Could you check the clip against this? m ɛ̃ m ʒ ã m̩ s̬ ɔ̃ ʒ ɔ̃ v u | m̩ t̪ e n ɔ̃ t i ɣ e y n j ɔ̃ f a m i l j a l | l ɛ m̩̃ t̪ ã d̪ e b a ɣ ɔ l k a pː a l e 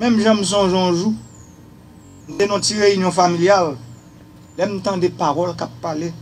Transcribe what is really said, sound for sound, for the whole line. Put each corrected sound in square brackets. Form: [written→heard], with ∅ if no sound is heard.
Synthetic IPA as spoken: m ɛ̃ m ʒ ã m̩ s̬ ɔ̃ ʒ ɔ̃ [v→ʒ] u | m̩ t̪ e n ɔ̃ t i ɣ e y n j ɔ̃ f a m i l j a l | l ɛ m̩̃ t̪ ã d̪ e [b→p] a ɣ ɔ l k a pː a l e